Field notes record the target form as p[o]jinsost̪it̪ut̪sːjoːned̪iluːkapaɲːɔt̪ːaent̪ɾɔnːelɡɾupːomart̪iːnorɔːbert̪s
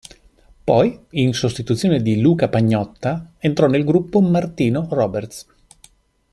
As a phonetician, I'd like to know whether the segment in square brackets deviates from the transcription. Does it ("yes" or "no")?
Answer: yes